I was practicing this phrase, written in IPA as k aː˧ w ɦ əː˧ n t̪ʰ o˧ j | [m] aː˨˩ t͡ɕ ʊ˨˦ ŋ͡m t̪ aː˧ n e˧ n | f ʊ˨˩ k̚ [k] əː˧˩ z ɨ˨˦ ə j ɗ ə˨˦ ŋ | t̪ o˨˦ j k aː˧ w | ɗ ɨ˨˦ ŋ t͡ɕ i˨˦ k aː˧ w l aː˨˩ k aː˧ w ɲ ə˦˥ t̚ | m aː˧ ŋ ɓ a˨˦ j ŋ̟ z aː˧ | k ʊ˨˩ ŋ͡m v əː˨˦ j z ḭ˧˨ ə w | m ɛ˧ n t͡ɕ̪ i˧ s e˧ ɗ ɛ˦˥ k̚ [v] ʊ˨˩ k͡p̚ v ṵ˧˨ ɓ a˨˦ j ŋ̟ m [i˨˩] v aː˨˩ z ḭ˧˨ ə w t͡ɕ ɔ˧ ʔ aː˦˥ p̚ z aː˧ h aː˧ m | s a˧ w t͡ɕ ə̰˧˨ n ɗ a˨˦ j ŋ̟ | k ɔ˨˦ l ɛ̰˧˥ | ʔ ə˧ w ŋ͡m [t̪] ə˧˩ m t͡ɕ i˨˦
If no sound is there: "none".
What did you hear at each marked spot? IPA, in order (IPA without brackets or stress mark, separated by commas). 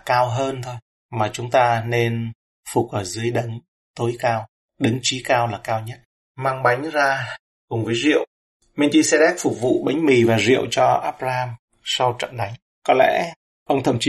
m, ʔ, f, i˨˩, t̪ʰ